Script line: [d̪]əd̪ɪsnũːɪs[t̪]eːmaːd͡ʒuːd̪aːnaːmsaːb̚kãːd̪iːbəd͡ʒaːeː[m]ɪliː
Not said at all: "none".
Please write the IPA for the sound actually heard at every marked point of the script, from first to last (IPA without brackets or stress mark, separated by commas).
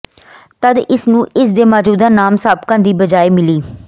t̪, d̪, m